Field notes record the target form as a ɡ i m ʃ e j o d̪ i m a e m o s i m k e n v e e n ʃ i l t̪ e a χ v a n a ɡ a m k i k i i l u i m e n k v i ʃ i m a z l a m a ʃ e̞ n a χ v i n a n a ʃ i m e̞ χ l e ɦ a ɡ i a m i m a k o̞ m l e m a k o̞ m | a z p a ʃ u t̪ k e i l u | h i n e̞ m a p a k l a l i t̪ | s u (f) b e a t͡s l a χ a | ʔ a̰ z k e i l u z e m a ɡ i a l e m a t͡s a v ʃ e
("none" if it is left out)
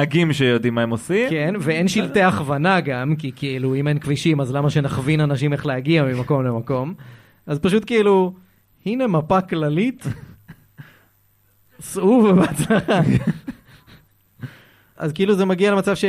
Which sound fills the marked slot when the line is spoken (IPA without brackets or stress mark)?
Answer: v